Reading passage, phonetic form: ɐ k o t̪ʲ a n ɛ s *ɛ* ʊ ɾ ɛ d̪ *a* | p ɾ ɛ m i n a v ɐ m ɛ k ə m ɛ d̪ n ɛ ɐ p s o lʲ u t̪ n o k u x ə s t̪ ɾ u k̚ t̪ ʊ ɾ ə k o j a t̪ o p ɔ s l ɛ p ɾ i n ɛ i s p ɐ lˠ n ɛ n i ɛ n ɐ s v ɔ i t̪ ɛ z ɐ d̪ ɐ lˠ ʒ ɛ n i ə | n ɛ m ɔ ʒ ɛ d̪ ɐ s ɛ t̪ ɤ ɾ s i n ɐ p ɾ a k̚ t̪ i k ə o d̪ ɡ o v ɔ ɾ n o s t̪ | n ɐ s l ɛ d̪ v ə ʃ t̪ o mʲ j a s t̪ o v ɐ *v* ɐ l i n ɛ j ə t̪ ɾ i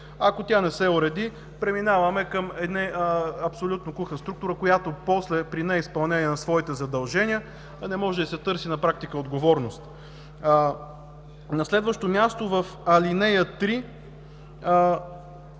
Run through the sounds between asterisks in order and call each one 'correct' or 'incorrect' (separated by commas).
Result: correct, incorrect, incorrect